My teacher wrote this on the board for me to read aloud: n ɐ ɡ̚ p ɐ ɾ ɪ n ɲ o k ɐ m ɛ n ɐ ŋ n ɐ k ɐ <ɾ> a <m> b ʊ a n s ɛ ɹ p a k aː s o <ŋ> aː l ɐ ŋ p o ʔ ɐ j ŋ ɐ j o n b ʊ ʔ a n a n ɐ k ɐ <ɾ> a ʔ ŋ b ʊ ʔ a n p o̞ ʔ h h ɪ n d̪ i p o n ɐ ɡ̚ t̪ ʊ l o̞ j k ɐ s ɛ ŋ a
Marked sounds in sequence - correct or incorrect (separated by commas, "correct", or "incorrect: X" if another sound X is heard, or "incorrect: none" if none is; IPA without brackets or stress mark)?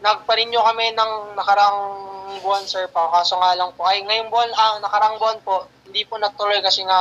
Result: correct, incorrect: ŋ, correct, correct